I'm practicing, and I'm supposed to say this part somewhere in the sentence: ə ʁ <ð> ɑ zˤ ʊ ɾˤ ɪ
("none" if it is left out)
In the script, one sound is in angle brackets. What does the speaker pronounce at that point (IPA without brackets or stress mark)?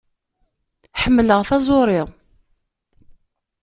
θ